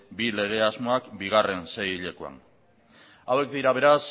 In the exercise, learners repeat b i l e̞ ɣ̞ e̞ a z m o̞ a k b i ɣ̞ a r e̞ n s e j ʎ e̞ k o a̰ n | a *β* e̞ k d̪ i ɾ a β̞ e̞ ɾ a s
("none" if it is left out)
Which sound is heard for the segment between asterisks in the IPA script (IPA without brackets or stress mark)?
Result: w